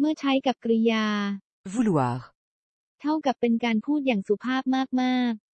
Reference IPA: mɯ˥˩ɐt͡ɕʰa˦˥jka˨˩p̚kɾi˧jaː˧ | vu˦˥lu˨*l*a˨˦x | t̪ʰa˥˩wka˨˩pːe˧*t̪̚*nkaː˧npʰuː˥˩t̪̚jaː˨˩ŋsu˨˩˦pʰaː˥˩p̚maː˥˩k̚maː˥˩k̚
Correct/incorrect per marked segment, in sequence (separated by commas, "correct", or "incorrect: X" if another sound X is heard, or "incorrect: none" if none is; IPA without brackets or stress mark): incorrect: none, incorrect: none